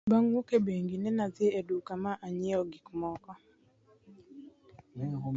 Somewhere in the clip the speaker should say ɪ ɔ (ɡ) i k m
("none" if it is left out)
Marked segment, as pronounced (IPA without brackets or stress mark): ɡ